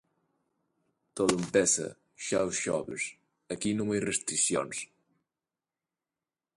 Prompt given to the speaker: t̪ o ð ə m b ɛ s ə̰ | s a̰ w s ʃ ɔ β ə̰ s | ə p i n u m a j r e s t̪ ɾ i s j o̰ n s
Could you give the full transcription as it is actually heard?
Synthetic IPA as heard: t̪ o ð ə m p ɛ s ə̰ | ʃ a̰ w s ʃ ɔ β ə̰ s | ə k i n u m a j r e s t̪ ɾ i s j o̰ n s